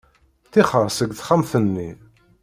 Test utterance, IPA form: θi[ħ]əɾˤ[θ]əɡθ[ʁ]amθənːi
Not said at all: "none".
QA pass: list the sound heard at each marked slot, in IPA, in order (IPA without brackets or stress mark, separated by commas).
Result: χ, s, χ